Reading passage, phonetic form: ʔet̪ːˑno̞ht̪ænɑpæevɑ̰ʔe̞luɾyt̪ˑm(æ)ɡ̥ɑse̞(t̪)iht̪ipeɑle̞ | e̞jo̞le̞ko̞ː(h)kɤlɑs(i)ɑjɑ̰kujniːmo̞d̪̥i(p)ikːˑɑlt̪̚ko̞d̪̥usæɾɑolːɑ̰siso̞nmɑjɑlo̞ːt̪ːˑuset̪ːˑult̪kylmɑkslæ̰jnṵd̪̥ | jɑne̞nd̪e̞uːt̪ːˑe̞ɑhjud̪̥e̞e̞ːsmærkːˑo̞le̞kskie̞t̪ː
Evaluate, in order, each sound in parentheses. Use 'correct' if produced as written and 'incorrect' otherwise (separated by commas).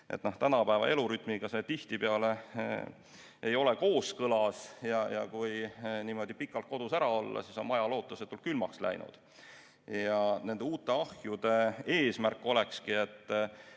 incorrect, correct, incorrect, incorrect, correct